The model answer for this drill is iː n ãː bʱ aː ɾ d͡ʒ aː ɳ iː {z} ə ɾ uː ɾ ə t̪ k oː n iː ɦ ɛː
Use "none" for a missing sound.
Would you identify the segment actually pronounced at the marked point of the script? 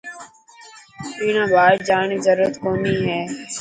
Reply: z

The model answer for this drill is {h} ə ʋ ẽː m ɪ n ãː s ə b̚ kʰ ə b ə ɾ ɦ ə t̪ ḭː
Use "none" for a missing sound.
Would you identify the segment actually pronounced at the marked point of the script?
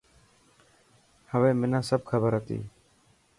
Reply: h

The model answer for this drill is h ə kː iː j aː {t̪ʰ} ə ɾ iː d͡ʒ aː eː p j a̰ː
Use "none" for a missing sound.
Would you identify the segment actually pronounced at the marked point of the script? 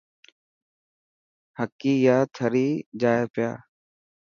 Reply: t̪ʰ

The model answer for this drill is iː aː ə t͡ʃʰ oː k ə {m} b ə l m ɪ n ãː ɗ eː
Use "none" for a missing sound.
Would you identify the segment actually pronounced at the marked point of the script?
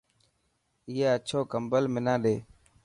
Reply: m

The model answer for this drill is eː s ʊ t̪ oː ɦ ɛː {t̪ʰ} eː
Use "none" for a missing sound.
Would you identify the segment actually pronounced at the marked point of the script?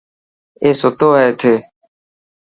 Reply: t̪ʰ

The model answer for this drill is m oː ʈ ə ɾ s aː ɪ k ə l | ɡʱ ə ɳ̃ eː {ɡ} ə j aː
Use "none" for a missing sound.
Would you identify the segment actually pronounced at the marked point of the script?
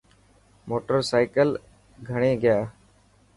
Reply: ɡ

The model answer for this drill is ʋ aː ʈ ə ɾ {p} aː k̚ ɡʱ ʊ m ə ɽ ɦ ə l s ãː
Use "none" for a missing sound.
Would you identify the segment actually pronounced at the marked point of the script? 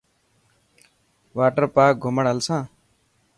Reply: p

